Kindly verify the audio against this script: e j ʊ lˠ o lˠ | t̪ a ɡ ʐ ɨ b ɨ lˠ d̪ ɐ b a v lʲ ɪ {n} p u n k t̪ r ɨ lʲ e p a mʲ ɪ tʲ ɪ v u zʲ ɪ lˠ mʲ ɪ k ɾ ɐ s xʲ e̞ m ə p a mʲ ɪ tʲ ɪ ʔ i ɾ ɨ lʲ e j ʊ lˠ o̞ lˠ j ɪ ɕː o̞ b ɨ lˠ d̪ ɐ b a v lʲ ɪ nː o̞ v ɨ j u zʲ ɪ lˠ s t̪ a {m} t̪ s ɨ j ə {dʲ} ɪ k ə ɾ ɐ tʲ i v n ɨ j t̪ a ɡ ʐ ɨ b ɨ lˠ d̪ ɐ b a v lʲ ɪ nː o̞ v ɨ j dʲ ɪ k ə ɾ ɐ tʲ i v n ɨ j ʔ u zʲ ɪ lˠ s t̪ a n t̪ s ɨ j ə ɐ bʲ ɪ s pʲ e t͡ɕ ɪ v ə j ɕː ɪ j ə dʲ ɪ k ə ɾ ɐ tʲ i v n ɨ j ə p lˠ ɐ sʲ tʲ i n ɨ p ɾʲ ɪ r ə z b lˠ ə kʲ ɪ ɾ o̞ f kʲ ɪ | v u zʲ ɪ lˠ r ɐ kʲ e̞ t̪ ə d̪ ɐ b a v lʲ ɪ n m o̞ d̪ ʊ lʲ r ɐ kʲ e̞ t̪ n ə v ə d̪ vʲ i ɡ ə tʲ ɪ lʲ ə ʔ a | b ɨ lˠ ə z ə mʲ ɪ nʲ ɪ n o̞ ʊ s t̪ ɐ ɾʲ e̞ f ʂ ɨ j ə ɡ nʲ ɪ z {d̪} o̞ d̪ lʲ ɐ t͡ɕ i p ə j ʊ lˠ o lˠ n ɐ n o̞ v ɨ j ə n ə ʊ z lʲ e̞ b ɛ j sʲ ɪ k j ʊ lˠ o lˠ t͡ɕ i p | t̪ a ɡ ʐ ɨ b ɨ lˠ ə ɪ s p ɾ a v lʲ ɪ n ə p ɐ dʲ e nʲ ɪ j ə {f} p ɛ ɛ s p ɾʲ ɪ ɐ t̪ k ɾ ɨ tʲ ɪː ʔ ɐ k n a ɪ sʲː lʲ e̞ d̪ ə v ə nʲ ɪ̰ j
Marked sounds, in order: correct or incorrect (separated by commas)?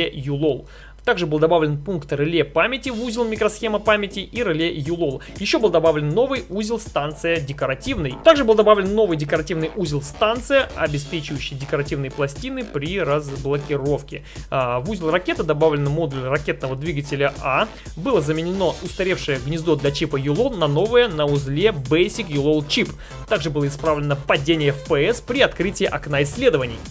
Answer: correct, incorrect, correct, correct, correct